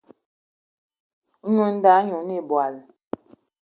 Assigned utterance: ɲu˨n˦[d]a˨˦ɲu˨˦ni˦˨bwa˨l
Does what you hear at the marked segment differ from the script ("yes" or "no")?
no